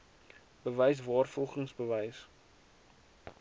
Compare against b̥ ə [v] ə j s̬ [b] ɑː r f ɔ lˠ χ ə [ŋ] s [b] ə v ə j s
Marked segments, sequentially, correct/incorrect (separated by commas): correct, incorrect, correct, correct